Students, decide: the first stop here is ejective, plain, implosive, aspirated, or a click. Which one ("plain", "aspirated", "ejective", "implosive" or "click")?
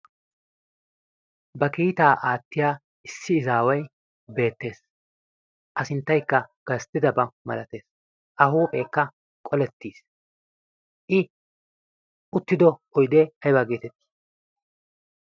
plain